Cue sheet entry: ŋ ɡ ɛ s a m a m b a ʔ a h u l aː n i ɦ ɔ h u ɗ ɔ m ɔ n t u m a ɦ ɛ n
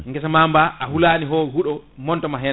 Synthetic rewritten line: ŋ ɡ ɛ s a m a m b a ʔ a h u l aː n i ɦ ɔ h u ɗ ɔ m ɔ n t ɔ m a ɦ ɛ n